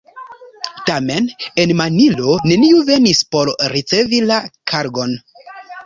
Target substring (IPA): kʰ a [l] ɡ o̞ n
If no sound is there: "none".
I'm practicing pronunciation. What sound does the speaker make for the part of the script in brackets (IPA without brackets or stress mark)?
ɾ